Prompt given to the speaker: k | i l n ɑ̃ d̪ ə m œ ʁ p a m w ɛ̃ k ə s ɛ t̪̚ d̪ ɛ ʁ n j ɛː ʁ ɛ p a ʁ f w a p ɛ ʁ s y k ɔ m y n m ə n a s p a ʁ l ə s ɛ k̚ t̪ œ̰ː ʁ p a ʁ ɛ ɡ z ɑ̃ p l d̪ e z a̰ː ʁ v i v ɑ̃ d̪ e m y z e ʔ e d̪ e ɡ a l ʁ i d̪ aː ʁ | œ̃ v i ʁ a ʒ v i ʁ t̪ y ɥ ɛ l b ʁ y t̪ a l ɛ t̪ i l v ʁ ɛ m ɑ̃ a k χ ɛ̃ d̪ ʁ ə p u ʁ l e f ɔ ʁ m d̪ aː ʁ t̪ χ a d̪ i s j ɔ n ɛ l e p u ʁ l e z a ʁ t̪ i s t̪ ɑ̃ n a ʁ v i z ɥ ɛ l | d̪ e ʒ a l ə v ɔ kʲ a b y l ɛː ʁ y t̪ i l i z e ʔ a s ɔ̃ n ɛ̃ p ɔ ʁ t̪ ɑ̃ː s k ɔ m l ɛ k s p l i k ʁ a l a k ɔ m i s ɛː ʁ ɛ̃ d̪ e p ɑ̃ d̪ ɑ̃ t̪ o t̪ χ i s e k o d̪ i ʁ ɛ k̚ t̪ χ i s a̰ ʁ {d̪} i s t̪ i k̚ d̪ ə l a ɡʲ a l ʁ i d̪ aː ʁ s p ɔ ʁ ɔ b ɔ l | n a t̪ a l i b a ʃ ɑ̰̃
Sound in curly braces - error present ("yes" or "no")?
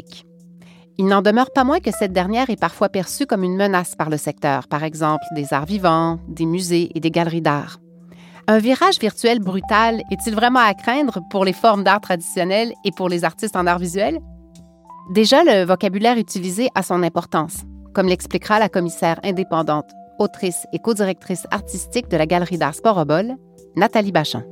yes